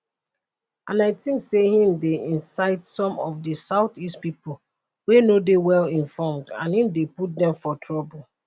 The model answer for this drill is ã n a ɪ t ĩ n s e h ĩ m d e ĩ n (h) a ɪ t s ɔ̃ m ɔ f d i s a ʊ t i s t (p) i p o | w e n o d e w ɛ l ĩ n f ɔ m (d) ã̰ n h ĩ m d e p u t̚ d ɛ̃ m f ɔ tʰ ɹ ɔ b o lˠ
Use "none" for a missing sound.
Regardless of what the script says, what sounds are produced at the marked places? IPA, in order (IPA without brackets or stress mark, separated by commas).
s, p, d